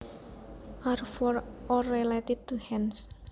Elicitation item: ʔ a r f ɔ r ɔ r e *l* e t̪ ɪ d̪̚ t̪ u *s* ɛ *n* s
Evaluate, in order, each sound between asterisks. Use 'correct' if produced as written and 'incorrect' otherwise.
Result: correct, incorrect, correct

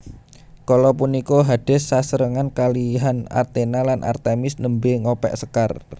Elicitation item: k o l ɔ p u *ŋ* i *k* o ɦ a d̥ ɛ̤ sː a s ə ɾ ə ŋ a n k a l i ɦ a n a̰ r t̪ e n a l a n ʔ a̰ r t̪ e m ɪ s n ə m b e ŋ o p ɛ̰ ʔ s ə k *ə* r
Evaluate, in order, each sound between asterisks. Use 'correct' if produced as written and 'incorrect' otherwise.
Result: incorrect, correct, incorrect

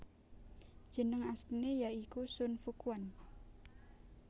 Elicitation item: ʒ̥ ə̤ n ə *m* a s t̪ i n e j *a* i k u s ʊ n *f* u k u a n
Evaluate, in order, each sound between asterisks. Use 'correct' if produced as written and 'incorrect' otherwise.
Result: incorrect, correct, correct

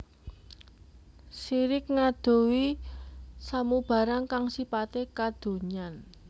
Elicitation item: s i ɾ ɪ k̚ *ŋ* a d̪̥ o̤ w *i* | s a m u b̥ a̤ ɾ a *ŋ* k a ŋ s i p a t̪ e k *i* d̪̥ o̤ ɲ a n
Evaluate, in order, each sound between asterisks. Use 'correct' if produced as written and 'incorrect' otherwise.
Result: correct, correct, correct, incorrect

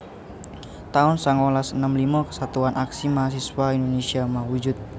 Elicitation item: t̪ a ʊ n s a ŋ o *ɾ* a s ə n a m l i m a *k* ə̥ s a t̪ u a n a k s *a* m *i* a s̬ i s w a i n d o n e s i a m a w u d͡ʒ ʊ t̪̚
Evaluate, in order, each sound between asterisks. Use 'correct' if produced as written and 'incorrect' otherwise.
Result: incorrect, correct, incorrect, incorrect

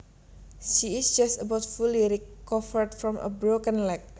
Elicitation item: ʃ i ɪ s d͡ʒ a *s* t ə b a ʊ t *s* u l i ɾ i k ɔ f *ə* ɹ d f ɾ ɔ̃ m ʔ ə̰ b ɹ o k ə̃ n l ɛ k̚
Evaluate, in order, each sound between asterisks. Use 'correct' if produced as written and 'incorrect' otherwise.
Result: correct, incorrect, correct

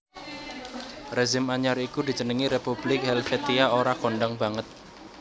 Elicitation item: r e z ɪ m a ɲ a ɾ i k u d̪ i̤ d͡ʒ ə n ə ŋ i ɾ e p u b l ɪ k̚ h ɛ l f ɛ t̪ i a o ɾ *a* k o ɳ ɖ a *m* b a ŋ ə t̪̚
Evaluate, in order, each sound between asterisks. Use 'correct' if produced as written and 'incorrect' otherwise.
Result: correct, incorrect

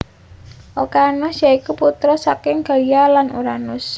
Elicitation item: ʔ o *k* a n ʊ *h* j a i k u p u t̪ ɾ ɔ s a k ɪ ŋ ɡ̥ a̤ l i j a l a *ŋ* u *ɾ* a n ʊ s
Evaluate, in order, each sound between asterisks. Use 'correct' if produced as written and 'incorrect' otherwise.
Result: correct, incorrect, incorrect, correct

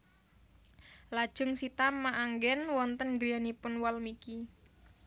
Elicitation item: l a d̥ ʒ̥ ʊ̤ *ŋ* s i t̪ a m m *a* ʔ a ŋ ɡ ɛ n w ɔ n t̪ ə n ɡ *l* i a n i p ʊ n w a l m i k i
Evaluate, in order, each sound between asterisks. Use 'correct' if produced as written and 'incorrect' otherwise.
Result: correct, correct, incorrect

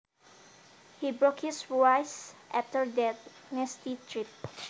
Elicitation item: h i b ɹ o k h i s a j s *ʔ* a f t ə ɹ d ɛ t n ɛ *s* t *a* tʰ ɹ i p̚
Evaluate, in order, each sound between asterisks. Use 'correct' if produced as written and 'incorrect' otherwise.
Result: correct, correct, incorrect

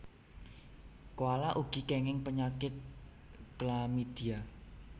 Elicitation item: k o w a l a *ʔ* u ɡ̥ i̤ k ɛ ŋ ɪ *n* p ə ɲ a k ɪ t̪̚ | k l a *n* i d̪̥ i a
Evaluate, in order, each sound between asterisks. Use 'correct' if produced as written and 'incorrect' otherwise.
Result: correct, incorrect, incorrect

